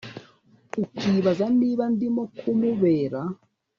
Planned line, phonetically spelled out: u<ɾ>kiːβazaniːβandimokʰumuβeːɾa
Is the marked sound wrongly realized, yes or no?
yes